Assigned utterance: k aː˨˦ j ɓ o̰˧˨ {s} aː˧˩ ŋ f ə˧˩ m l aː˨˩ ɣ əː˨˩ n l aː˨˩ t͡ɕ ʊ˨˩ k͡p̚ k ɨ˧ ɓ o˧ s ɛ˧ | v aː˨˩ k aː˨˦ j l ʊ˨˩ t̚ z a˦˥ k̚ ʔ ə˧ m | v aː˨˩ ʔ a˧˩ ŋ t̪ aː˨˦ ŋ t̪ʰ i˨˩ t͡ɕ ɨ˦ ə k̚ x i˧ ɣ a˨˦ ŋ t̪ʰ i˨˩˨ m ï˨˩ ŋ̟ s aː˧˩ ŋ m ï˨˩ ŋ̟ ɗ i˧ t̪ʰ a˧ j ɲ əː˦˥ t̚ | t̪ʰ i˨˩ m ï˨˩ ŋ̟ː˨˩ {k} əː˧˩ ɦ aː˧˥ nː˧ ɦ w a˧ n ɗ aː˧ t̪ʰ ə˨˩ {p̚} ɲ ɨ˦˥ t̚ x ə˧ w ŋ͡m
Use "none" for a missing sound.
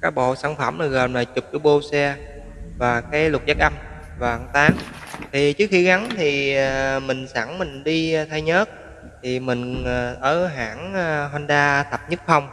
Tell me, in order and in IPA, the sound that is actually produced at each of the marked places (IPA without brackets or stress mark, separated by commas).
s, ʔ, p̚